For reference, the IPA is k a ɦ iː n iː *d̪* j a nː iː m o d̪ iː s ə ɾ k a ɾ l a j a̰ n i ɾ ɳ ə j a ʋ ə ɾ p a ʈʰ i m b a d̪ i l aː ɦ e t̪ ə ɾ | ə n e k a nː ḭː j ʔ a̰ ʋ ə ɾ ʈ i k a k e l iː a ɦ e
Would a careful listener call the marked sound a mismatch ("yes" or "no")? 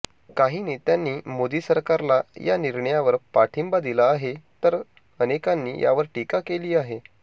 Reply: yes